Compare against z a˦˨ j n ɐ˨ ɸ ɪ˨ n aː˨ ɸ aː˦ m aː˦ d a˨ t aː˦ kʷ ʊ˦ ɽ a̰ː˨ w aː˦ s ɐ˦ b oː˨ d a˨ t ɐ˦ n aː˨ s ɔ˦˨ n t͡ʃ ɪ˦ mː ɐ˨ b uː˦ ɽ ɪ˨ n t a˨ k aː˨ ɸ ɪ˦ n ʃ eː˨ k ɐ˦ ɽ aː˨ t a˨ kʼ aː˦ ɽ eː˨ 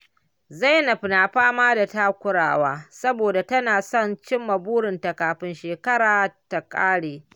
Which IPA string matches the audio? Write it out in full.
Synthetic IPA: z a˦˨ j n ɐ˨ ɸ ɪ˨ n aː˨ ɸ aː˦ m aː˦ d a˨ t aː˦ kʷ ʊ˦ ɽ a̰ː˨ w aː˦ s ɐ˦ b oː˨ d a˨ t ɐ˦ n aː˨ s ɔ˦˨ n t͡ʃ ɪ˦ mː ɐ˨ b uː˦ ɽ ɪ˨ n t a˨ k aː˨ ɸ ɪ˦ n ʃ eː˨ k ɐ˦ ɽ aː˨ t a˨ kʼ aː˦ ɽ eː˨